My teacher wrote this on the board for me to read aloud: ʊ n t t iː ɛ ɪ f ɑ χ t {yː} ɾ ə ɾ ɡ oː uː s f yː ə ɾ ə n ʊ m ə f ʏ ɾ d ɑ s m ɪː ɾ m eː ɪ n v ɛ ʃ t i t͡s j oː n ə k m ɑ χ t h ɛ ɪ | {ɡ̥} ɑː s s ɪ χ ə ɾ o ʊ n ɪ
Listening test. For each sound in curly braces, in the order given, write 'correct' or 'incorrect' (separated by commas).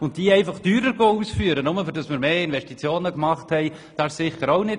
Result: correct, incorrect